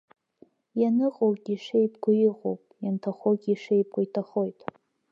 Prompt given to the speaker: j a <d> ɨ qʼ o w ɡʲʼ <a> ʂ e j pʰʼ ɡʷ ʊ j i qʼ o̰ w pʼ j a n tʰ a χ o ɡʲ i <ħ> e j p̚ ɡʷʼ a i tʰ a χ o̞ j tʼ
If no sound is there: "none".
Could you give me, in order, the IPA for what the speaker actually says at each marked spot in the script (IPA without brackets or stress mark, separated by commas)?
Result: n, i, ʂ